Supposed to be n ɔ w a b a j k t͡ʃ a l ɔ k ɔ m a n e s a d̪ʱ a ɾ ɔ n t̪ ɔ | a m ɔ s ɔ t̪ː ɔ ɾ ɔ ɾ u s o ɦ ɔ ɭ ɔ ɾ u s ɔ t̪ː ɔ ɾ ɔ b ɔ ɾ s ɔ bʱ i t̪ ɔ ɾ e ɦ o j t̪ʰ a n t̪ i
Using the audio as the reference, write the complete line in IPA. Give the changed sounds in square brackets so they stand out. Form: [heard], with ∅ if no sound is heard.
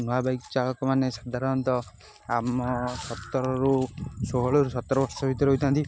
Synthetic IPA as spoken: n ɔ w a b a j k t͡ʃ a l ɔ k ɔ m a n e s a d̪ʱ a ɾ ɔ n t̪ ɔ | a m ɔ s ɔ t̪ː ɔ ɾ ɔ ɾ u s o ɦ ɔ ɭ ɔ ɾ u s ɔ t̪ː ɔ ɾ ɔ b ɔ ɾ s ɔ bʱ i t̪ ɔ ɾ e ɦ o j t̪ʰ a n t̪ i